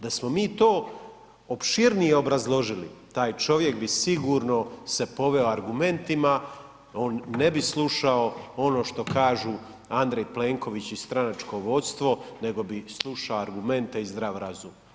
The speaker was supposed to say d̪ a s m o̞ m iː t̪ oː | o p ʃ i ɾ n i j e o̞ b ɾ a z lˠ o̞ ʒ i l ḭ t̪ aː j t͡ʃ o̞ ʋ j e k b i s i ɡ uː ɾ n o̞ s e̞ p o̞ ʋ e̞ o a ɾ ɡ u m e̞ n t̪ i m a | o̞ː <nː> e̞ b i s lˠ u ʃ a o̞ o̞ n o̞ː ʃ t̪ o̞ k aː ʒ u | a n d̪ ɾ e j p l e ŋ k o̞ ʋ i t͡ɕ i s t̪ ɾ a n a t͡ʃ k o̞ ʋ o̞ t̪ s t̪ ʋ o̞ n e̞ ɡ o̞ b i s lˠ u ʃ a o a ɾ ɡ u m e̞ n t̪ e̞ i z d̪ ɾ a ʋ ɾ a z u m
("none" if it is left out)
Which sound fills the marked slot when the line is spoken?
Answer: nː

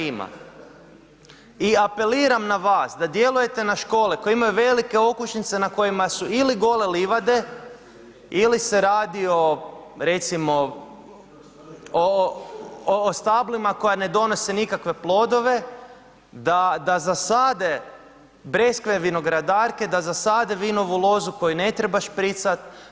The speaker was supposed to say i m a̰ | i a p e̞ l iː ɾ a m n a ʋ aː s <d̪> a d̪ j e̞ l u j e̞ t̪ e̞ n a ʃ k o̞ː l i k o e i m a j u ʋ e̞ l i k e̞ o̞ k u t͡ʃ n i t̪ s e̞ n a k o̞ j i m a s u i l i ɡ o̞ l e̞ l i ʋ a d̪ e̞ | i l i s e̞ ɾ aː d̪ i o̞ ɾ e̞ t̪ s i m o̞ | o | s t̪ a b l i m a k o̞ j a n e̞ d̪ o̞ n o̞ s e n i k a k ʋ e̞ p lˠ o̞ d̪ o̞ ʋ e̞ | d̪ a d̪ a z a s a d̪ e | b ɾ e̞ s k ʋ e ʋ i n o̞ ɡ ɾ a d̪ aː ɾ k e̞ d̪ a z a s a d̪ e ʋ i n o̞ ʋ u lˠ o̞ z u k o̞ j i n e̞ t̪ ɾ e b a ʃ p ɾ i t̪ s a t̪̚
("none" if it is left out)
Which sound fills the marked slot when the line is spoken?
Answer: d̪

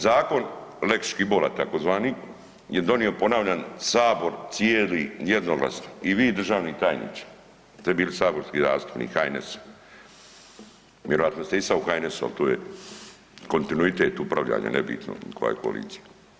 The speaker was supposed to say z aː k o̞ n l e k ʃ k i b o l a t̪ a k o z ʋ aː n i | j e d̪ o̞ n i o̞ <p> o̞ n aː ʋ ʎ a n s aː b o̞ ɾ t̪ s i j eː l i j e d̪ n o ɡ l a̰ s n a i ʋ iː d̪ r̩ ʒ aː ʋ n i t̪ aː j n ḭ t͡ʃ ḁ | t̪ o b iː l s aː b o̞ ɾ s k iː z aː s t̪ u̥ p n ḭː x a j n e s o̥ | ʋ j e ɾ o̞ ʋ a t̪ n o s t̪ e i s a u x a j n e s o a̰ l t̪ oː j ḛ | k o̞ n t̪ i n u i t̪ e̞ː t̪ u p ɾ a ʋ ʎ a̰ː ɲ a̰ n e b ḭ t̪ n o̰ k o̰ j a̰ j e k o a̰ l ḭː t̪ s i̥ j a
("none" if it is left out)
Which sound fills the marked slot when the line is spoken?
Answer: p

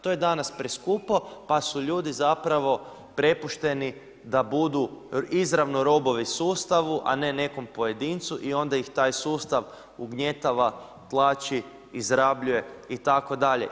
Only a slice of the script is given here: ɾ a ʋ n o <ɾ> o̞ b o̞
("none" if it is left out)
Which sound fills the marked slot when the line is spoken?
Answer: ɾ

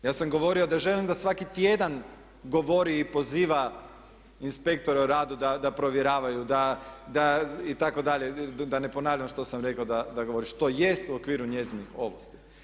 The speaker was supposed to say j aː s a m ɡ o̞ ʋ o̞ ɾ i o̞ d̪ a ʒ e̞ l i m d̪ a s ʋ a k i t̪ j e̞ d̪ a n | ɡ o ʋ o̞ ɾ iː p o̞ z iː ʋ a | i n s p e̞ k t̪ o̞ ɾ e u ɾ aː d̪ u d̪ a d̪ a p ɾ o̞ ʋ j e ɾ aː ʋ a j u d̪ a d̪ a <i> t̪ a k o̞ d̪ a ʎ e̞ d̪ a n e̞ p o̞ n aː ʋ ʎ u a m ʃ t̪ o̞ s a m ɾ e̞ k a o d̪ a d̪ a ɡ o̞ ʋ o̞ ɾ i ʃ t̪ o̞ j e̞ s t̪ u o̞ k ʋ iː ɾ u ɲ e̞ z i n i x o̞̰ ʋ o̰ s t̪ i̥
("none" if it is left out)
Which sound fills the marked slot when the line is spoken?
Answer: i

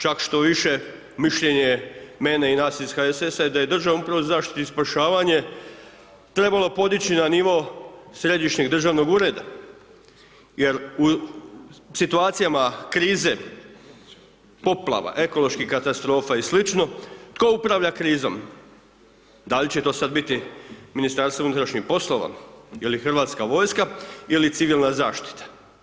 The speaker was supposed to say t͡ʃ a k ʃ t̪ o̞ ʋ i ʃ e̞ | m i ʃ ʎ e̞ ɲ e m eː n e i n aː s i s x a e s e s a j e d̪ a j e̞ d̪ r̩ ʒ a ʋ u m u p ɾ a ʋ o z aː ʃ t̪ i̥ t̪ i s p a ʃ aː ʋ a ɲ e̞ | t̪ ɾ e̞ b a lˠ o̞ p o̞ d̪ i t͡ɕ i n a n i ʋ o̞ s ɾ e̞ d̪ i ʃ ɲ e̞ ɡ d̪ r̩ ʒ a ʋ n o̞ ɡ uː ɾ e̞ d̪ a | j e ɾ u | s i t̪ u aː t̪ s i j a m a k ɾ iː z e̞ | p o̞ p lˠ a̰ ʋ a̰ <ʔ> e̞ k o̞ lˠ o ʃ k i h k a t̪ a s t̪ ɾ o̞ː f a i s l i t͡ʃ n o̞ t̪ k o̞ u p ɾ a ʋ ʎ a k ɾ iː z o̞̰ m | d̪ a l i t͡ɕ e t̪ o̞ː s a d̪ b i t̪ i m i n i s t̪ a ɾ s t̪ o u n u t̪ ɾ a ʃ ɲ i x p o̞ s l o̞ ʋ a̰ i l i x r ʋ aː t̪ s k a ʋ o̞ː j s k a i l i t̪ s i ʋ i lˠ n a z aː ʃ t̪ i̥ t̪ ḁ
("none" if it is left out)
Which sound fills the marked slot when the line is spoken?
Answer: ʔ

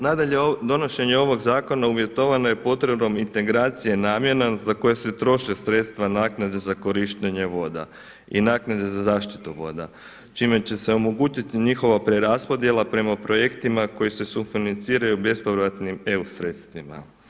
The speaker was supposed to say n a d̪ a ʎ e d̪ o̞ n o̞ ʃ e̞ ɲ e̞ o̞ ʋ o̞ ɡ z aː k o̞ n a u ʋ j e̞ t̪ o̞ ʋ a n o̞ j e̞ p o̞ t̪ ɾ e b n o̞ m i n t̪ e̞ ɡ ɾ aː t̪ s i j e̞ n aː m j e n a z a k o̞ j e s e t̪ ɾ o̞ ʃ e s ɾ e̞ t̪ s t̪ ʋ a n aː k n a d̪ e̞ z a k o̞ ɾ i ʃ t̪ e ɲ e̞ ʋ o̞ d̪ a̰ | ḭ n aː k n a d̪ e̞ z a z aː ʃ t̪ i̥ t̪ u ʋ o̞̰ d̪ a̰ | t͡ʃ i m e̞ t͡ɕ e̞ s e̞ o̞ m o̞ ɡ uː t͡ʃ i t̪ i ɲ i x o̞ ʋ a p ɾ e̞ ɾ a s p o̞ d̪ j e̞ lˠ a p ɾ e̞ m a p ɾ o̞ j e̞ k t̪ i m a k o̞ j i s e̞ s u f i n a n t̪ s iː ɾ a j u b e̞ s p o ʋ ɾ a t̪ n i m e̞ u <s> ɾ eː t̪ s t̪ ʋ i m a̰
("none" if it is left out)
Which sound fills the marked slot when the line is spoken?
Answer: s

